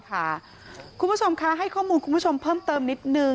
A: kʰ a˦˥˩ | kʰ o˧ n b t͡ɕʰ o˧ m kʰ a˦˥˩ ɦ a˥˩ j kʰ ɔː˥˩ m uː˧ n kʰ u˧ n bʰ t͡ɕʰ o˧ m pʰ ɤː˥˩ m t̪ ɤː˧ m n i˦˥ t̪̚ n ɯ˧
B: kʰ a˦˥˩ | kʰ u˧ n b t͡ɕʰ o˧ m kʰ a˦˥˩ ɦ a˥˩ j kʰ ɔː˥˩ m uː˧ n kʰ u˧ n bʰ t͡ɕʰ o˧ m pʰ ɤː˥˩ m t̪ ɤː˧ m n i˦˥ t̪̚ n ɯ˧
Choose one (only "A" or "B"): B